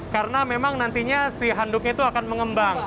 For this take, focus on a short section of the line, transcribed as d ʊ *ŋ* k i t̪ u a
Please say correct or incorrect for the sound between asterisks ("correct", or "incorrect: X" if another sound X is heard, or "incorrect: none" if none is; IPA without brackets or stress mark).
incorrect: none